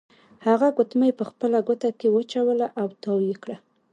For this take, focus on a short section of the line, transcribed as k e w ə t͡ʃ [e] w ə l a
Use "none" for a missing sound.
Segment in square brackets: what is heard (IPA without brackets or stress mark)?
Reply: a